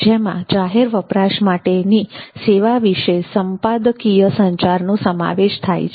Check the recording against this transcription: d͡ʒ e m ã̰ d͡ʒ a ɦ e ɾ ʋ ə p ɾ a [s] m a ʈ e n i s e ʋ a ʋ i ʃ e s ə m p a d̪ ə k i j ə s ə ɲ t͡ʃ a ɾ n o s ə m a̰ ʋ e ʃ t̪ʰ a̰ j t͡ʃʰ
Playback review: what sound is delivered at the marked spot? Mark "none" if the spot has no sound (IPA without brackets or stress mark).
ʃ